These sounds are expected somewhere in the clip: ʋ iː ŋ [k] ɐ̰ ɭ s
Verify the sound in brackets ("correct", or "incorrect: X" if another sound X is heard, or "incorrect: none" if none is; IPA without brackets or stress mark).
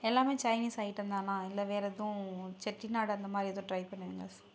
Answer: incorrect: ɡ